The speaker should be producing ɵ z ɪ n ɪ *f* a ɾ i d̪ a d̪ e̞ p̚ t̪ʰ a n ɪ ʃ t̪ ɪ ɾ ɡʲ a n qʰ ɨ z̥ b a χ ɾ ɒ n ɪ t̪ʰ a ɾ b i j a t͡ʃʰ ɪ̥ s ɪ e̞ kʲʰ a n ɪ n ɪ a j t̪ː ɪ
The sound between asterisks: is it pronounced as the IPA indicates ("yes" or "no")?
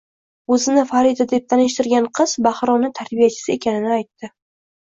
yes